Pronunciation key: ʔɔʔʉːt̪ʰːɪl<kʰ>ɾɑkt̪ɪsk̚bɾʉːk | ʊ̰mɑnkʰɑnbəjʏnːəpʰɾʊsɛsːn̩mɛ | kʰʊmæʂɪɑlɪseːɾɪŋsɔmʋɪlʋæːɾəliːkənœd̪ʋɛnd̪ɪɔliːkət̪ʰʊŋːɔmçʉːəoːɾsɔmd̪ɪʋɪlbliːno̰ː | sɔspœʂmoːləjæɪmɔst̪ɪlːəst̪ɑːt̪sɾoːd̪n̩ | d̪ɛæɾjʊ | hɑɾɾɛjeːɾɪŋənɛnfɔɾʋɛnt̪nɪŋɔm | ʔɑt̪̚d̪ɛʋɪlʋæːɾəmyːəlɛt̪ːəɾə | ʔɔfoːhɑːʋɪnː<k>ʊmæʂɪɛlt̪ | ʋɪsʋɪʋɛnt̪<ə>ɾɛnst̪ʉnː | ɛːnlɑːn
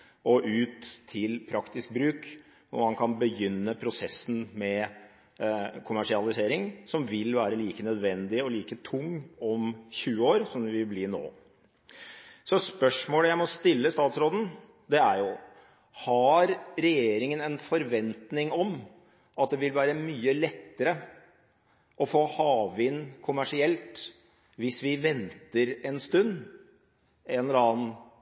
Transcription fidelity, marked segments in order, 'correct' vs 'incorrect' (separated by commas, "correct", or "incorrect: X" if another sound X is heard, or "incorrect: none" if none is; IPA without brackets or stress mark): incorrect: pʰ, incorrect: kʰ, correct